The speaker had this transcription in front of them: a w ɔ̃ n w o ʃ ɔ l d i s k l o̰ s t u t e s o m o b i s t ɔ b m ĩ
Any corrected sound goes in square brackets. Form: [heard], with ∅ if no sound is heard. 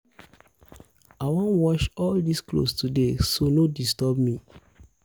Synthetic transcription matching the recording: a w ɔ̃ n w [ɔ] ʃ ɔ l d i s k l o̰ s t u [d] e s o [n] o [d] i s t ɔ b m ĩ